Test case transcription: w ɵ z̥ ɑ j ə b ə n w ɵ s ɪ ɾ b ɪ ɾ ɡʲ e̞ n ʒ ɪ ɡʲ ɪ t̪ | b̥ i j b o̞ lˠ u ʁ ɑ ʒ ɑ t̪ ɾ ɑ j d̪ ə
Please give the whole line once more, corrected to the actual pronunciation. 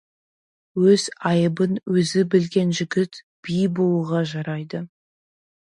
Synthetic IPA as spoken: w ɵ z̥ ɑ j ə b ə n w ɵ z ɪ b ɪ l ɡʲ e̞ n ʒ ɪ ɡʲ ɪ t̪ | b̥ i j b o̞ lˠ u ʁ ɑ ʒ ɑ ɾ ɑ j d̪ ə

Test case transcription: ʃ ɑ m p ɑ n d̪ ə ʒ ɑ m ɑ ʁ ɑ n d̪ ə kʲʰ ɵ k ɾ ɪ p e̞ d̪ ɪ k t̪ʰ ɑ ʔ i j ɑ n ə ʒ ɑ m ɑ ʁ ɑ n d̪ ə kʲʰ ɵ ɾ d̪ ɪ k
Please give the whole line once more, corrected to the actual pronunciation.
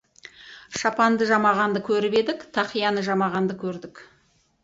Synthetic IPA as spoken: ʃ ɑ p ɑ n d̪ ə ʒ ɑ m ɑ ʁ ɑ n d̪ ə kʲʰ ɵ ɾ ɪ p e̞ d̪ ɪ k t̪ʰ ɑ q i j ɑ n ə ʒ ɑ m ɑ ʁ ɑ n d̪ ə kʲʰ ɵ ɾ d̪ ɪ k

